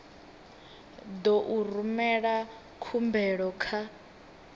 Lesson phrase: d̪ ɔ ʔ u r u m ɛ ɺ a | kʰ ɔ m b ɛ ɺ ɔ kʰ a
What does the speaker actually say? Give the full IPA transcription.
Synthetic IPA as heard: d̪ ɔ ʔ u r u m ɛ ɺ a | kʰ u m b ɛ ɺ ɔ kʰ a